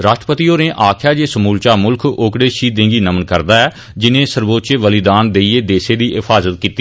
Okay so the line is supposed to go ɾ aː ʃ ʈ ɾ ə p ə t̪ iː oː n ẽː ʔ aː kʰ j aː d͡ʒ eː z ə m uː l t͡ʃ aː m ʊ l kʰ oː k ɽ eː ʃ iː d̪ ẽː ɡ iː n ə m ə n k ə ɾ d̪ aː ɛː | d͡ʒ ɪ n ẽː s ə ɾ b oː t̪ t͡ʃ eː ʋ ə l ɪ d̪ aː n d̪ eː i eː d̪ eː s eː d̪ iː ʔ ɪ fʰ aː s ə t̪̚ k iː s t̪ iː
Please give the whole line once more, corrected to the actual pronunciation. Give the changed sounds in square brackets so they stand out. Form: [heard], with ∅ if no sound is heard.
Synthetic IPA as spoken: ɾ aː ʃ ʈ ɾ ə p ə t̪ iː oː n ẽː ʔ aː kʰ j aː d͡ʒ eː [s] ə m uː l t͡ʃ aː m ʊ l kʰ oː k ɽ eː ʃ iː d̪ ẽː ɡ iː n ə m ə n k ə ɾ d̪ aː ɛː | d͡ʒ ɪ n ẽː s ə ɾ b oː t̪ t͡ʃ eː ʋ ə l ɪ d̪ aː n d̪ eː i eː d̪ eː s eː d̪ iː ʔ ɪ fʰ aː [z] ə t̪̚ k iː [∅] t̪ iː